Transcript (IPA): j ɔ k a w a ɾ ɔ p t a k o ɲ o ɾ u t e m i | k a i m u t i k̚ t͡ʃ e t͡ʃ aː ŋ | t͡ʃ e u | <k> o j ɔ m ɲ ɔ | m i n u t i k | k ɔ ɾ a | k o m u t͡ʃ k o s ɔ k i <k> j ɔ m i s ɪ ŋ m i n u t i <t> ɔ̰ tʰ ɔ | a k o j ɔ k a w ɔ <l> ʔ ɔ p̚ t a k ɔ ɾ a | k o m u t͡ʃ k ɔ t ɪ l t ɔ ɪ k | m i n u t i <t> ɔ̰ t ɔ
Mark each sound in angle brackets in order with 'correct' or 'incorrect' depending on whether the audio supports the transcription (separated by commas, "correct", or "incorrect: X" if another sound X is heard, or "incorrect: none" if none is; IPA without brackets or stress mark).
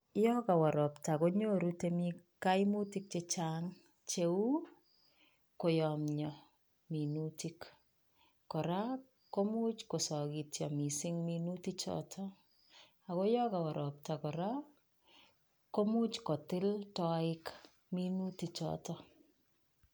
correct, incorrect: t, incorrect: t͡ʃ, incorrect: ɾ, incorrect: t͡ʃ